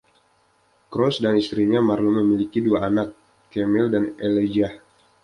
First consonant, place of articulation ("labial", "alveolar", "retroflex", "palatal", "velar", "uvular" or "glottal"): velar